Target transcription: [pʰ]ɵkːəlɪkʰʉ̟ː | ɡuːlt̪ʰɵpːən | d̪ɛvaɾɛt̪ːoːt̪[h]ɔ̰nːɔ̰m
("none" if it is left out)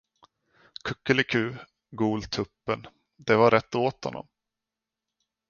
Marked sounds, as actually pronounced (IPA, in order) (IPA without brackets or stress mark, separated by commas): kʰ, h